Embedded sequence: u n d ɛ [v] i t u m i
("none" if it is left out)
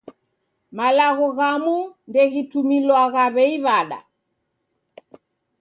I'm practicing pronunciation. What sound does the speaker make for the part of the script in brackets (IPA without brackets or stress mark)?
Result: ɣ